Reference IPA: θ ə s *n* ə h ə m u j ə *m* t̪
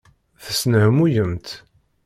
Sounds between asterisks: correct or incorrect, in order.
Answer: correct, correct

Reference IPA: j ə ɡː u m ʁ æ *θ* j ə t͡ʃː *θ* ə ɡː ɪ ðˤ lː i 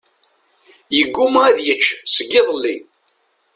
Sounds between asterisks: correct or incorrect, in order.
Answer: incorrect: ð, incorrect: s

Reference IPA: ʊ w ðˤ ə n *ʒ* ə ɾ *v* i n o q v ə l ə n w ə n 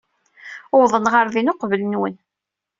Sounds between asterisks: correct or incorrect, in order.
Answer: incorrect: ʁ, incorrect: ð

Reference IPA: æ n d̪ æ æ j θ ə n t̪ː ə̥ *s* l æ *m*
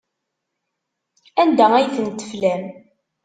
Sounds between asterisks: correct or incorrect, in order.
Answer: incorrect: f, correct

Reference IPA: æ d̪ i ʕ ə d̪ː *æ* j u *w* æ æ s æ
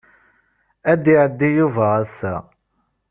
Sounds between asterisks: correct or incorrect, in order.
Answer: incorrect: i, incorrect: v

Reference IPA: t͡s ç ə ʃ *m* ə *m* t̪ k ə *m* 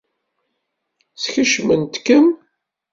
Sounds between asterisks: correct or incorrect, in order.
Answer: correct, incorrect: n, correct

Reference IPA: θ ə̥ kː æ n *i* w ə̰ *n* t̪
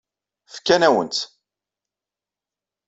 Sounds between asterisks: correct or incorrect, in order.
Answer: incorrect: æ, correct

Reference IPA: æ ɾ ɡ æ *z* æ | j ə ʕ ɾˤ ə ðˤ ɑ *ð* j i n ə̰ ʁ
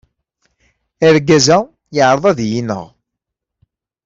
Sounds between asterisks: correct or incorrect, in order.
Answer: correct, correct

